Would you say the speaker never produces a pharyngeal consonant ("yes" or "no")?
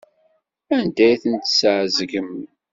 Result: no